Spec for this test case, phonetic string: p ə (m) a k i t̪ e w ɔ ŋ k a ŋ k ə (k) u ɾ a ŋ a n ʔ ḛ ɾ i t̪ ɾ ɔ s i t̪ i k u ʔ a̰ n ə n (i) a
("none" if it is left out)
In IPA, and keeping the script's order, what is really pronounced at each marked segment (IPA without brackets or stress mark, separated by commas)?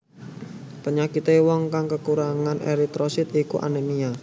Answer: ɲ, k, i